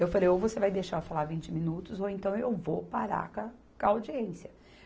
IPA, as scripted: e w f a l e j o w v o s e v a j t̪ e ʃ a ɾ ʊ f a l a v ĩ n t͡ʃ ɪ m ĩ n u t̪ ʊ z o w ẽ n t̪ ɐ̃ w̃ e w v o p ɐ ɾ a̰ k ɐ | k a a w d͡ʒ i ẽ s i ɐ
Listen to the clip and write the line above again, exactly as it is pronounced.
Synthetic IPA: e w f a l e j o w v o s e v a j d̪ e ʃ a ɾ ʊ f a l a v ĩ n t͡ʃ ɪ m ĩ n u t̪ ʊ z o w ẽ n t̪ ɐ̃ w̃ e w v o p a ɾ a̰ k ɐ | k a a w d͡ʒ i ẽ s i ɐ